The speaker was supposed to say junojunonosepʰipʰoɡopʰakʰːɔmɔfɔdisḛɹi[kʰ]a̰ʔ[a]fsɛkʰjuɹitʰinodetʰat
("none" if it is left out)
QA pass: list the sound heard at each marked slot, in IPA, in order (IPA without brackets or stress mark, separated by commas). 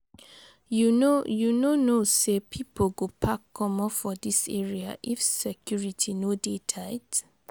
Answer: none, i